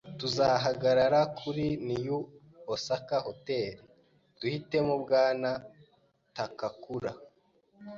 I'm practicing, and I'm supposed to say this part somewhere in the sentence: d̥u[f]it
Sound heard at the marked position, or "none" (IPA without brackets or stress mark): h